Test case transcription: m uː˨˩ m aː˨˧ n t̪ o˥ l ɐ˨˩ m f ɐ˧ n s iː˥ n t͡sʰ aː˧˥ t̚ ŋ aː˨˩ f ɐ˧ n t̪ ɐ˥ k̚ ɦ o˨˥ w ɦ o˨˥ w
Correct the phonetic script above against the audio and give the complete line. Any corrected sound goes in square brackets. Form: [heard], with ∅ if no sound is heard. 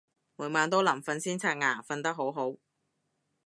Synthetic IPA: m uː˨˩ m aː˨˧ n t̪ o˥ l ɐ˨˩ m f ɐ˧ n s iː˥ n t͡sʰ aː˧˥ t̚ ŋ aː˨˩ f ɐ˧ n t̪ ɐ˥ k̚ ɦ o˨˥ w ɦ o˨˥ w